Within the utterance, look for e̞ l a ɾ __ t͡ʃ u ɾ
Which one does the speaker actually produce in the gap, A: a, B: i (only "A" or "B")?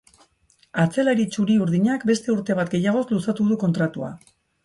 B